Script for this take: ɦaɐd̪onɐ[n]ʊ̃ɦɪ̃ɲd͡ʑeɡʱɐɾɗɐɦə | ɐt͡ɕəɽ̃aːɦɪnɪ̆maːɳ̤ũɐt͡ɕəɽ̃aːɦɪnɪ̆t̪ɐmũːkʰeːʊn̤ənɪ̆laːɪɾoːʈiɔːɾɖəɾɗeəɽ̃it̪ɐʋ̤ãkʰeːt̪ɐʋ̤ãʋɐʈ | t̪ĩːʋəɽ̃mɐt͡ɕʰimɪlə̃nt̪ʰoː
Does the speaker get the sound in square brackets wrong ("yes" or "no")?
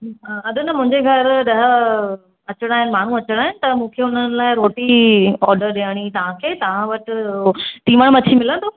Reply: yes